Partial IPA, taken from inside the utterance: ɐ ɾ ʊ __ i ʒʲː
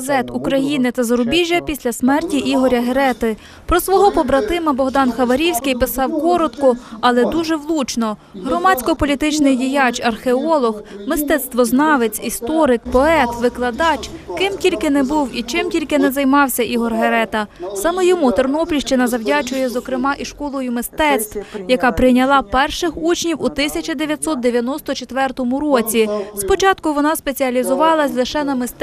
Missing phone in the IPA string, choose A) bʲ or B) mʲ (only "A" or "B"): A